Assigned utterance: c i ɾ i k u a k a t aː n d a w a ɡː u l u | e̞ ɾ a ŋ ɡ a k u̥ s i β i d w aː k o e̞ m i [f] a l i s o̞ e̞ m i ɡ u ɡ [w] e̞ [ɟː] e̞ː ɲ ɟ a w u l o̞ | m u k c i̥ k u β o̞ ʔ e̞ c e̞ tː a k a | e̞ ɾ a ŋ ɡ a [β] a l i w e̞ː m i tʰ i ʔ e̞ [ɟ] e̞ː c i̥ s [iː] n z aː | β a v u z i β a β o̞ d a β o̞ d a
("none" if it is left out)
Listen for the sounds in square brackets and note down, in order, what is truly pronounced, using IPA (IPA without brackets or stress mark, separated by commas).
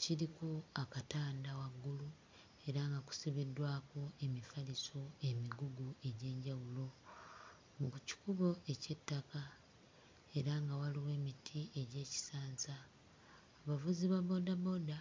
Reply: f, u, ɟ, w, ɟ, aː